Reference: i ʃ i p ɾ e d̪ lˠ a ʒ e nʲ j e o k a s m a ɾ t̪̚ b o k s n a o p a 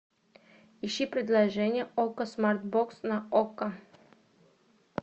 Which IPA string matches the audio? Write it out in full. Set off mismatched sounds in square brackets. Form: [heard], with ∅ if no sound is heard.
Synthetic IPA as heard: i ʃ i p ɾ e d̪ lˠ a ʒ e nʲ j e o k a s m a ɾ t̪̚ b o k s n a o [k] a